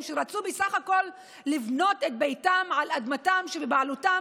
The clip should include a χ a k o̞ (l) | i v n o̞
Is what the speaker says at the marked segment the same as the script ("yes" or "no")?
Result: no